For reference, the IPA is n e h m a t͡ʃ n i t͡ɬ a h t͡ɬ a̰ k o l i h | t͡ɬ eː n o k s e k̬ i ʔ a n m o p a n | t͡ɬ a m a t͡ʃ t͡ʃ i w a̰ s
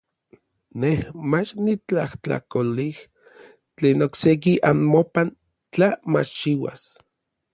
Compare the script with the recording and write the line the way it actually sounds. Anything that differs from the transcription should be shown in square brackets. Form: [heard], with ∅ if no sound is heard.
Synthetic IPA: n e h m a t͡ʃ n i t͡ɬ a h t͡ɬ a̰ k o l i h | t͡ɬ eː n o k s e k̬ i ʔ a n m o p a n | t͡ɬ a m a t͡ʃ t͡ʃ i w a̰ s